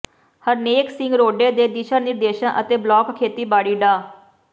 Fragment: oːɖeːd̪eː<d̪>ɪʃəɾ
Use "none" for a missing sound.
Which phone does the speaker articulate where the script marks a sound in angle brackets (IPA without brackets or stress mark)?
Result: d̪